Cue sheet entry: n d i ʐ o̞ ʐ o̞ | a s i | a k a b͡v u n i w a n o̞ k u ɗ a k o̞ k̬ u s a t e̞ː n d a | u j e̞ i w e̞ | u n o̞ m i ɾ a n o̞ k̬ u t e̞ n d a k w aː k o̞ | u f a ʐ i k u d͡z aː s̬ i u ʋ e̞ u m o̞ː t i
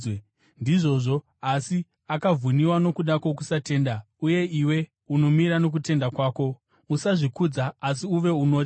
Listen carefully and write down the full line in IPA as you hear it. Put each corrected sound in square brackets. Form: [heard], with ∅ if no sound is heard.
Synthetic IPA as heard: n d i ʐ o̞ ʐ o̞ | a s i | a k a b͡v u n i w a n o̞ k u ɗ a k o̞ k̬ u s a t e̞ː n d a | u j e̞ i w e̞ | u n o̞ m i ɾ a n o̞ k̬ u t e̞ n d a k w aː k o̞ | u [s] a ʐ i k u d͡z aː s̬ i u ʋ e̞ u [n] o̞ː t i